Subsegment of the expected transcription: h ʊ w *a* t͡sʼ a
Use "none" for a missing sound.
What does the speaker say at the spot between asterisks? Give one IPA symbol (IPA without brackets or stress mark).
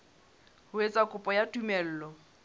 e